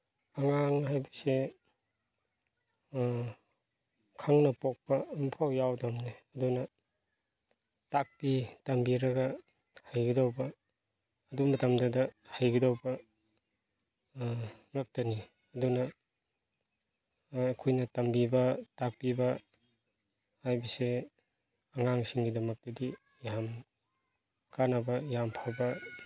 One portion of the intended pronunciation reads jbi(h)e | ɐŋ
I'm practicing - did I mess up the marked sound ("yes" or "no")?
yes